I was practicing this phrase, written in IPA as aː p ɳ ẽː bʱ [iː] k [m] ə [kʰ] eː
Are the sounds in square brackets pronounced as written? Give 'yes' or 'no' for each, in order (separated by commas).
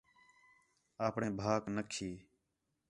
no, no, yes